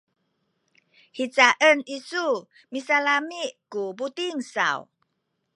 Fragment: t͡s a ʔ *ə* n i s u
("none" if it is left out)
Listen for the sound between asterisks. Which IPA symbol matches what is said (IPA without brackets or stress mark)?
ə